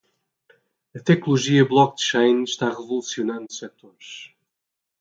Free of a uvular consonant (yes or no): no